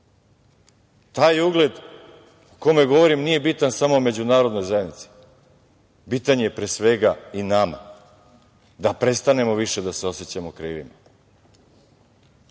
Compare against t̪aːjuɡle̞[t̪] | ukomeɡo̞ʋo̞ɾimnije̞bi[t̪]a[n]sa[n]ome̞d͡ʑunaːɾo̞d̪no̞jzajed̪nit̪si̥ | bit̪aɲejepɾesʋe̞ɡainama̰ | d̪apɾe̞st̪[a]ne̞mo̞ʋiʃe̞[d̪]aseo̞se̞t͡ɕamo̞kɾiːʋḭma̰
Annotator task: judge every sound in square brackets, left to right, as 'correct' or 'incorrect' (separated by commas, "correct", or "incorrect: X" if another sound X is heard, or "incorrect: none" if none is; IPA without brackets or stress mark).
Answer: incorrect: d̪, correct, correct, incorrect: m, correct, correct